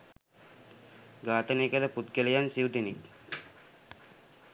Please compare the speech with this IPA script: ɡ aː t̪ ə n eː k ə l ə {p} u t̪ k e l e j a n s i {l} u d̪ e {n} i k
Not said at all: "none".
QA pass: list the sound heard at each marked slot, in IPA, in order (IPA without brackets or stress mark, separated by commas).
p, none, n